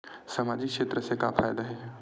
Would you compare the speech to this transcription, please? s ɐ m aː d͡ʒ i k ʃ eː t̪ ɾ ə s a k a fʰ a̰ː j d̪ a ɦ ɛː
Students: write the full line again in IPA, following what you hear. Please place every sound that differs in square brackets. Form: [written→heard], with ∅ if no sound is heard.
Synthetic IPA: s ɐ m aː d͡ʒ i k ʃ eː t̪ ɾ ə s [a→e] k a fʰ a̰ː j d̪ a ɦ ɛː

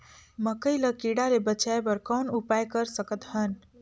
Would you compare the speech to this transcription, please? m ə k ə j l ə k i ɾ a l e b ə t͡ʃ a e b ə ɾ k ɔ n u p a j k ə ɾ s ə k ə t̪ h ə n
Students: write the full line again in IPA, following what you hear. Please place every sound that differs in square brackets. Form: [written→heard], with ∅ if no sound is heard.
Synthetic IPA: m ə k ə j l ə k i [ɾ→ɽ] a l e b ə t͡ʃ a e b ə ɾ k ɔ n u p a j k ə ɾ s ə k ə t̪ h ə n

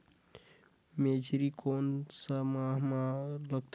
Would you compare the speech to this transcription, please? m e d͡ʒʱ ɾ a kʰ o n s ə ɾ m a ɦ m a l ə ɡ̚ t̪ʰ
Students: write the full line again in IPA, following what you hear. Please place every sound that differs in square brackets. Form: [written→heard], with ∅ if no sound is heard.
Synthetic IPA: m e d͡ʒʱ ɾ [a→i] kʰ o n s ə [ɾ→∅] m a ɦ m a l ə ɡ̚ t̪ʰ

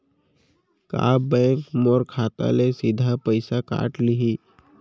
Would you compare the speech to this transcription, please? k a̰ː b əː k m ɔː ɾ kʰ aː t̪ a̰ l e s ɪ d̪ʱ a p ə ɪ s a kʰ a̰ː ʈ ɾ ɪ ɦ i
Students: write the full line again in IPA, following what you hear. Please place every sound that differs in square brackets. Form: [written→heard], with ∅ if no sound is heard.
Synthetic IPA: k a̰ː b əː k m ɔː ɾ kʰ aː t̪ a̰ l e s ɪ d̪ʱ a p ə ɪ s a [kʰ→k] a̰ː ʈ [ɾ→l] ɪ ɦ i

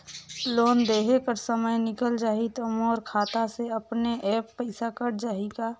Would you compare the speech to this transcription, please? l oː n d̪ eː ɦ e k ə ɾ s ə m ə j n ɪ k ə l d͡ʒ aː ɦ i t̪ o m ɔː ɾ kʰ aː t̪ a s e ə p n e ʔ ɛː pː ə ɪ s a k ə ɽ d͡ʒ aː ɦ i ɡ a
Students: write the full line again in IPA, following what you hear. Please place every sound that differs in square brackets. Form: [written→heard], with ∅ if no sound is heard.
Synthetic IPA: l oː n d̪ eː ɦ e k ə ɾ s ə m ə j n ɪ k ə l d͡ʒ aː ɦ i t̪ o m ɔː ɾ kʰ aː t̪ a s e ə p n e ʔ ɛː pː ə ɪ s a k ə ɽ d͡ʒ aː ɦ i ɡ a

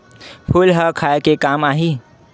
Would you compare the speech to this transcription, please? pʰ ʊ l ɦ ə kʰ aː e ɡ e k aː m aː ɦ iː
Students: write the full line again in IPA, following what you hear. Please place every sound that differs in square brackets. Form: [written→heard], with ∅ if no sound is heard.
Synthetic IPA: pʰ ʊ l ɦ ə kʰ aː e [ɡ→k] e k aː m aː ɦ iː

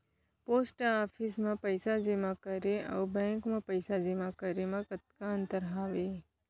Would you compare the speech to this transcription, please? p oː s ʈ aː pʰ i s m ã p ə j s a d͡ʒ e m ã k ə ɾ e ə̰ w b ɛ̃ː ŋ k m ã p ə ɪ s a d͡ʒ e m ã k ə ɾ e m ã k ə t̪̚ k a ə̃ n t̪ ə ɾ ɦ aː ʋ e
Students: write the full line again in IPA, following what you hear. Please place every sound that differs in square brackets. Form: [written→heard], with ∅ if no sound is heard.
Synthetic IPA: p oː s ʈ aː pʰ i s m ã p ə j s a d͡ʒ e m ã k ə ɾ e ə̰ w b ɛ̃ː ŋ k m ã p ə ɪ s a d͡ʒ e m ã k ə ɾ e m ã k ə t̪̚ k a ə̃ n t̪ ə ɾ ɦ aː ʋ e

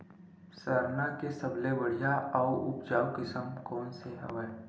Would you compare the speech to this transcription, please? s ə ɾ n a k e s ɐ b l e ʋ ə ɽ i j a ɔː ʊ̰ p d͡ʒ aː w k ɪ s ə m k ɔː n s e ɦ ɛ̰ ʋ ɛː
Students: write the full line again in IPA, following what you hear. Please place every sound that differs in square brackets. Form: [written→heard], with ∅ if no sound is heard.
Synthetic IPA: s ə ɾ n a k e s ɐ b l e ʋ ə ɽ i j a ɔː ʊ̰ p d͡ʒ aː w k ɪ s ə m k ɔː n s e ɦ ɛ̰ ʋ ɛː

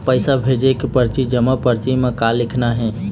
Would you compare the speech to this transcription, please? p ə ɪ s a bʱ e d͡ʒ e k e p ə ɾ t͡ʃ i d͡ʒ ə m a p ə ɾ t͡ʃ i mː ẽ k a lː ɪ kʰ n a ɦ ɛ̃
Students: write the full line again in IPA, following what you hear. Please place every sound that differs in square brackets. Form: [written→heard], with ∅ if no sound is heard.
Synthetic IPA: p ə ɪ s a bʱ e d͡ʒ e k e p ə ɾ t͡ʃ i d͡ʒ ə m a p ə ɾ t͡ʃ i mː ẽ k a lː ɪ kʰ n a ɦ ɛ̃

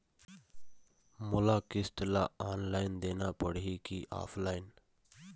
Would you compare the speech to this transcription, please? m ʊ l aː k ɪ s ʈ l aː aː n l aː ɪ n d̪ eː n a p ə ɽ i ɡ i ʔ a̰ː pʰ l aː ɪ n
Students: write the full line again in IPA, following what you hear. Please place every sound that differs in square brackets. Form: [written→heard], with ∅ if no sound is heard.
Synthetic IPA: m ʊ l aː k ɪ s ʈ l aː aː n l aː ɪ n d̪ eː n a p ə ɽ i [ɡ→k] i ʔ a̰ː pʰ l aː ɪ n

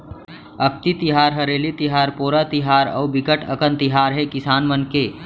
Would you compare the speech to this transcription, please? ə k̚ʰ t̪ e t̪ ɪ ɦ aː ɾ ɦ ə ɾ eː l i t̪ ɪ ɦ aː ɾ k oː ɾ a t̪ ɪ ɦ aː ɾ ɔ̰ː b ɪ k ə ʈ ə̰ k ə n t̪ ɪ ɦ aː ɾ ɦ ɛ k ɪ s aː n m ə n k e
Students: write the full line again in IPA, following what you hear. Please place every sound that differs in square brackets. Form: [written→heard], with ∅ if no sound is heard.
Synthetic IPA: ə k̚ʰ t̪ [e→i] t̪ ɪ ɦ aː ɾ ɦ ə ɾ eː l i t̪ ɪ ɦ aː ɾ [k→p] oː ɾ a t̪ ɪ ɦ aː ɾ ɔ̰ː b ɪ k ə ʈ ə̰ k ə n t̪ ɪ ɦ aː ɾ ɦ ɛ k ɪ s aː n m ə n k e

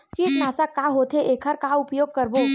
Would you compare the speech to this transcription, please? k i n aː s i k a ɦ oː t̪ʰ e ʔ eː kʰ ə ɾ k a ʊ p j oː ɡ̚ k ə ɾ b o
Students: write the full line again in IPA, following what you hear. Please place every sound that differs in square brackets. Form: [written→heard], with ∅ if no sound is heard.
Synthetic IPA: k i n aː s [i→a] k a ɦ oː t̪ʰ e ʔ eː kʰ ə ɾ k a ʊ p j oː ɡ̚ k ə ɾ b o

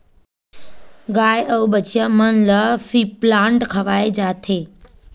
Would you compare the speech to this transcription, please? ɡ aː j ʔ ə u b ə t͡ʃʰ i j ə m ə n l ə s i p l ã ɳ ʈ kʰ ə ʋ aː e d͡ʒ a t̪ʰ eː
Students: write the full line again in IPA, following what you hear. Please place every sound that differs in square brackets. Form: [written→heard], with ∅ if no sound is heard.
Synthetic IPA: ɡ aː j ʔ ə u b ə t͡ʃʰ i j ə m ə n l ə [s→f] i p l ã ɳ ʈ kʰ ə ʋ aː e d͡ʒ a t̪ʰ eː

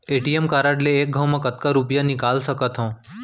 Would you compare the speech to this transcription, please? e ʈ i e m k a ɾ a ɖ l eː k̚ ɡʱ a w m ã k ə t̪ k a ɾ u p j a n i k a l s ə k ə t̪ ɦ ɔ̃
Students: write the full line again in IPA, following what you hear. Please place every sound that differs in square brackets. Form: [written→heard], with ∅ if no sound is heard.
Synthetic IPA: e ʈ i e m k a ɾ a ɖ l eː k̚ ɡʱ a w m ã k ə t̪ k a ɾ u p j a n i k a l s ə k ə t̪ ɦ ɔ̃

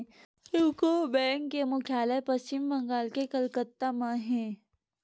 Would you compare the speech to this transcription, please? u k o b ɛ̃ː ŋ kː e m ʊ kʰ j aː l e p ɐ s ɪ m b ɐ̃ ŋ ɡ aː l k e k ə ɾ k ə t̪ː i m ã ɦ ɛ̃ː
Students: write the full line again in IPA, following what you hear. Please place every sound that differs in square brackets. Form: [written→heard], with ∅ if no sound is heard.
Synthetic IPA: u k o b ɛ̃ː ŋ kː e m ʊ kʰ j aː l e p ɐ s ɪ m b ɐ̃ ŋ ɡ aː l k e k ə [ɾ→l] k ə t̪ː [i→a] m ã ɦ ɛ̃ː

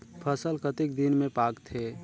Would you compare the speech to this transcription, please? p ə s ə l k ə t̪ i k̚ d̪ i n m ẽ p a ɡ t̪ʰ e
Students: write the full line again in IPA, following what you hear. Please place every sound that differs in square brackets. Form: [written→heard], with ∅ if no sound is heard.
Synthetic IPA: [p→pʰ] ə s ə l k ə t̪ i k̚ d̪ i n m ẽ p a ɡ t̪ʰ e

